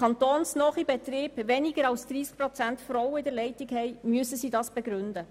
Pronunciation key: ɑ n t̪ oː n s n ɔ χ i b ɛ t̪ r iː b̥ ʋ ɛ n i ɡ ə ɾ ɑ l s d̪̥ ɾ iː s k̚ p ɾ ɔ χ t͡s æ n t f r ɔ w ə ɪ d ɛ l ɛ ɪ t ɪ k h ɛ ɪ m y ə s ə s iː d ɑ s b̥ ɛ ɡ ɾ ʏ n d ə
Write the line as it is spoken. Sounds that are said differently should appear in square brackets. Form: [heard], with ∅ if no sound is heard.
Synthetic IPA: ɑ n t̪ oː n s n ɔ χ i b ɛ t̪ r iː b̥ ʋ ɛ n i ɡ ə ɾ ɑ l s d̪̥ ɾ iː s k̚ p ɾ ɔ [∅] t͡s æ n t f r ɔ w ə ɪ d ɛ l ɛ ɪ t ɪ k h ɛ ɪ m y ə s ə s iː d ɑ s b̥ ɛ ɡ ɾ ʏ n d ə